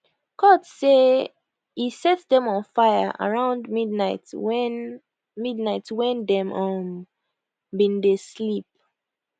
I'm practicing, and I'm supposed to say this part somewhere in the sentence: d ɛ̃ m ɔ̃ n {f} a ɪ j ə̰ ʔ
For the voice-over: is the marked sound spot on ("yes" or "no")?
yes